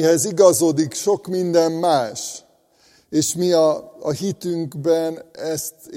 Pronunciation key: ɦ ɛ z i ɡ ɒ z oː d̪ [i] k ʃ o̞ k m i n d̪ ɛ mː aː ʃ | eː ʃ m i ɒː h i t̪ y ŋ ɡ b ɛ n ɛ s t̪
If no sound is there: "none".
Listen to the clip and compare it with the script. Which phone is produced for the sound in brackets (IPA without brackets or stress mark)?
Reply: i